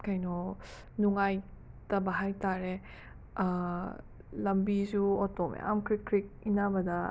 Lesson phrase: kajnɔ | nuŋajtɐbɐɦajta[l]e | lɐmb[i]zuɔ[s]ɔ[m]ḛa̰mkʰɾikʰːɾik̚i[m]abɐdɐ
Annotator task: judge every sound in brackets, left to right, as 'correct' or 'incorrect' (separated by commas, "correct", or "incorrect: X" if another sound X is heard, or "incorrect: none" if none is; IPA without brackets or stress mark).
incorrect: ɾ, correct, incorrect: t, correct, incorrect: n